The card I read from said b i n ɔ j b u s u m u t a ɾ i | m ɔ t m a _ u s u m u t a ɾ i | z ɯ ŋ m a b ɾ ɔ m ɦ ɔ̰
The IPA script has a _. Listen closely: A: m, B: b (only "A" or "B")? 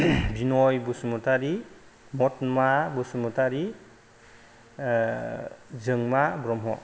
B